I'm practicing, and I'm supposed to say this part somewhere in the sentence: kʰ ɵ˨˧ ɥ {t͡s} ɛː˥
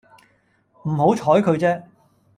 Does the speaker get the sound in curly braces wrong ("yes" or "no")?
no